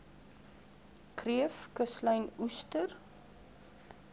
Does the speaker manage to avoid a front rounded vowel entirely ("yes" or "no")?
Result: yes